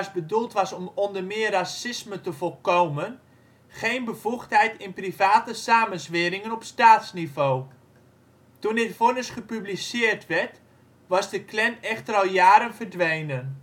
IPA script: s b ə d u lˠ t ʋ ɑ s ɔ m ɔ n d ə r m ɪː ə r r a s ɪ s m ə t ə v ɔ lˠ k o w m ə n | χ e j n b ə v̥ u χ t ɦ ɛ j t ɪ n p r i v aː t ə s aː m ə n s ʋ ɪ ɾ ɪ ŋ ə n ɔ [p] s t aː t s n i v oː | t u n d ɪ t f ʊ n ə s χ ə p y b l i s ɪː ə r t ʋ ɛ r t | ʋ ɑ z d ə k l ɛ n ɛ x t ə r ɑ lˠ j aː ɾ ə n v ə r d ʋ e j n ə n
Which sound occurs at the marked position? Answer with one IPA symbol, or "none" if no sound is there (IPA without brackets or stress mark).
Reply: p